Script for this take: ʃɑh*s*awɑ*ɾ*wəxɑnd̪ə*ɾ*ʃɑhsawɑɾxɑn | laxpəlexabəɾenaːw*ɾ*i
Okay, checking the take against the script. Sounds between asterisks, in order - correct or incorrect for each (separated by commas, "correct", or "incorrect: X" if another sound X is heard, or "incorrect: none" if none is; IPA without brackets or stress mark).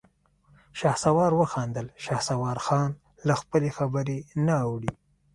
correct, correct, incorrect: l, incorrect: ɽ